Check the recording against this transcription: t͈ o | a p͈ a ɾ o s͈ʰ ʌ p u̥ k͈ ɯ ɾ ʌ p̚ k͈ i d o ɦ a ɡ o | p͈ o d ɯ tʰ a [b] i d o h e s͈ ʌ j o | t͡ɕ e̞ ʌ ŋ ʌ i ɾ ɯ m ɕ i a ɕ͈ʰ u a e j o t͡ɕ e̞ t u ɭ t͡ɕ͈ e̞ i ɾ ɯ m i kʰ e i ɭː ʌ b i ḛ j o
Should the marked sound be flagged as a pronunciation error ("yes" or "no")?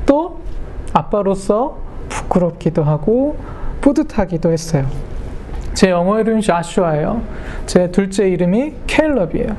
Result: yes